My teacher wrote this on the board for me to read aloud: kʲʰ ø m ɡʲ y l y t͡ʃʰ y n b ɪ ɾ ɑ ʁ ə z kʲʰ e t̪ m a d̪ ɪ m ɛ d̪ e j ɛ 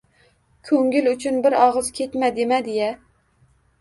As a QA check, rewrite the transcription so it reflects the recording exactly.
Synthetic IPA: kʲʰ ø ŋ ɡʲ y l y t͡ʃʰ y n b ɪ ɾ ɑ ʁ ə z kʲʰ e t̪ m ɛ d̪ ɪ m ɛ d̪ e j ɛ